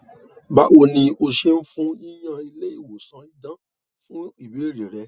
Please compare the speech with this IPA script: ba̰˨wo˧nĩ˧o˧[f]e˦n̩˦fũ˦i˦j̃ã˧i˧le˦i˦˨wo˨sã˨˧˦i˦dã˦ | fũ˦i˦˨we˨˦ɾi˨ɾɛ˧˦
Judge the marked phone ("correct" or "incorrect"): incorrect